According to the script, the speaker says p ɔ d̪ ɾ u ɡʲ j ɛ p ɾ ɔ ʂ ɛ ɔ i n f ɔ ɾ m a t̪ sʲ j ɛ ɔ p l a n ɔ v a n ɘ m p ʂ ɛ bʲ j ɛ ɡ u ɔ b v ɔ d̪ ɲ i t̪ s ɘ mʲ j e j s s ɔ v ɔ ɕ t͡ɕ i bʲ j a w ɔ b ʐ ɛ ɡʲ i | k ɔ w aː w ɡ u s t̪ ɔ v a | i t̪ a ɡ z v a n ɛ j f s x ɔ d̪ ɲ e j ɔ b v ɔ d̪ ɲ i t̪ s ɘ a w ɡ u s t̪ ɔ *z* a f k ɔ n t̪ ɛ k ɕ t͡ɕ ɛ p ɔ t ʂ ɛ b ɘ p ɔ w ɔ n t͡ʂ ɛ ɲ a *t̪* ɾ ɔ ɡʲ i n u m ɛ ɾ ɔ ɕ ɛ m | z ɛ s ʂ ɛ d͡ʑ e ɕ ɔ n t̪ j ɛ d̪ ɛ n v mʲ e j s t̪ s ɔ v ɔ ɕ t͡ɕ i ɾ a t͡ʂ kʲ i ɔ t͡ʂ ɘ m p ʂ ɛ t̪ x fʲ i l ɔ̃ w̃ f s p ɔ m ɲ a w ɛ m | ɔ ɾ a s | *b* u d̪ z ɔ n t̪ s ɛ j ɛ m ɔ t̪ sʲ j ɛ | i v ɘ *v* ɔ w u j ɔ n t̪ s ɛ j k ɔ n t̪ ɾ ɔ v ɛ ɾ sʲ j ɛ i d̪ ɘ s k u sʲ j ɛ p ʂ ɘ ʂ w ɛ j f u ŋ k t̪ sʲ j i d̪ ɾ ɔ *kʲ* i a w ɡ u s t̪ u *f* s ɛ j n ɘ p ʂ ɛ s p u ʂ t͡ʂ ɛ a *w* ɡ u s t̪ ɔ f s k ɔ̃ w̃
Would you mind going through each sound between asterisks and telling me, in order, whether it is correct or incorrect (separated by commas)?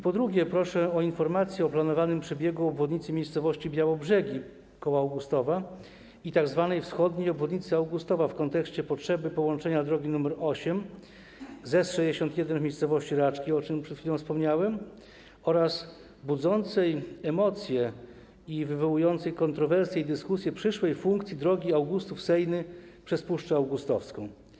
incorrect, incorrect, correct, correct, incorrect, correct, correct